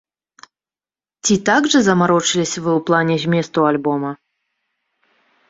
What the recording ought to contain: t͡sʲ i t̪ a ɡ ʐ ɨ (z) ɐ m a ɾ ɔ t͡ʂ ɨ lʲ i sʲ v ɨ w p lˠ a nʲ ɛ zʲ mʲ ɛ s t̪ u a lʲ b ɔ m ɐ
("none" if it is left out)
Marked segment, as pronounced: z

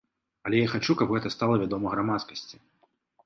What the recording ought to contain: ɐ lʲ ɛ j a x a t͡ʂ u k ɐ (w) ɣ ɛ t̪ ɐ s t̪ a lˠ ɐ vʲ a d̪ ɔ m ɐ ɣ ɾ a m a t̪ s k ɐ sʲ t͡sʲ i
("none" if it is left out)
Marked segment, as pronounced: b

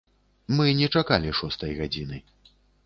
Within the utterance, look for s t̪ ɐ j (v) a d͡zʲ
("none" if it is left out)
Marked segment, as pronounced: ɣ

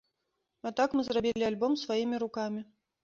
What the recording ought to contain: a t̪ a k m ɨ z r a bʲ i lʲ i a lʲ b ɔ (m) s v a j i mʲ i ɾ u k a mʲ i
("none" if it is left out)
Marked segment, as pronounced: m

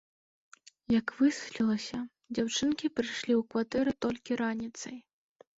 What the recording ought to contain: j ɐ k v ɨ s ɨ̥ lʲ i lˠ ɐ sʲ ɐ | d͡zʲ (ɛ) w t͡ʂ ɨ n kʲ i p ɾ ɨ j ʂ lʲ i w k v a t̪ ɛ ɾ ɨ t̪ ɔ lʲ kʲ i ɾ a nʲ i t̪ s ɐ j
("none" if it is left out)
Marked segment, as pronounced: a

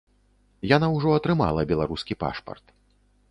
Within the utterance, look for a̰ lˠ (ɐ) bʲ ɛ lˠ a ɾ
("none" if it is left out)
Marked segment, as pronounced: ɐ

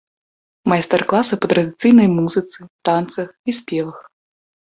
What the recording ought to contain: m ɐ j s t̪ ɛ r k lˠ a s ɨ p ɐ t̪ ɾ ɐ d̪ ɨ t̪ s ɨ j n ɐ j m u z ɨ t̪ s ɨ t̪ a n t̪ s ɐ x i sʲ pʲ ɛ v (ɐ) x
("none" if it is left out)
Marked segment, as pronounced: ɐ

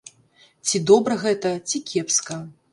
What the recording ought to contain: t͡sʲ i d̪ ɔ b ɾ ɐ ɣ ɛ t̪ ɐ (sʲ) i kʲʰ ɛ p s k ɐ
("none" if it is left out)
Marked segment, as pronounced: t͡sʲ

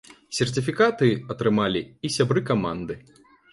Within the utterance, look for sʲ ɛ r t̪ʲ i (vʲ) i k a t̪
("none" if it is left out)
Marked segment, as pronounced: fʲ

